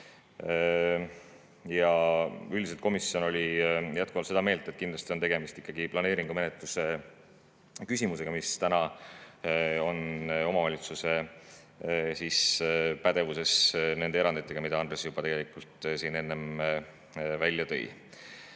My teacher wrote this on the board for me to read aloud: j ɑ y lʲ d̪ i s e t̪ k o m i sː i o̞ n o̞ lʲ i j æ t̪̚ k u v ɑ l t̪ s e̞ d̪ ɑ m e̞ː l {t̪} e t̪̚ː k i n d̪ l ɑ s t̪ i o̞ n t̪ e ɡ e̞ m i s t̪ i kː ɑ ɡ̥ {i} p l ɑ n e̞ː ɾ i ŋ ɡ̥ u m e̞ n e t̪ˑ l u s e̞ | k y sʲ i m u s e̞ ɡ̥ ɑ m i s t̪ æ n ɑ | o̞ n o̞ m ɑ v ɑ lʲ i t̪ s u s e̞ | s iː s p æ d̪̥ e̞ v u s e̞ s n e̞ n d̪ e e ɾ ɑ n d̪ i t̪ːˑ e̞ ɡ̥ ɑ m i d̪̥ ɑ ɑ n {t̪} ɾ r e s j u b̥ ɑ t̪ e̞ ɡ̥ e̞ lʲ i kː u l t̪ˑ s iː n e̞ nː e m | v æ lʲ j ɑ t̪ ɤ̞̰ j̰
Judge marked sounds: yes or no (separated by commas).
yes, yes, no